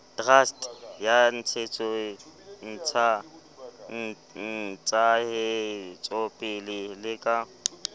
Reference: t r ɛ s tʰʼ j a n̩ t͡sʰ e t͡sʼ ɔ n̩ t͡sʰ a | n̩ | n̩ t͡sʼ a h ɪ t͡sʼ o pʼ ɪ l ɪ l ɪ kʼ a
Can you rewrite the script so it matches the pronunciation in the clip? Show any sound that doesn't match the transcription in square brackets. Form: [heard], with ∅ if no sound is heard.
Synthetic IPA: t r [a] s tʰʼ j a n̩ t͡sʰ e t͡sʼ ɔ n̩ t͡sʰ a | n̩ | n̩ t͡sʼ a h ɪ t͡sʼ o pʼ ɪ l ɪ l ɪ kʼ a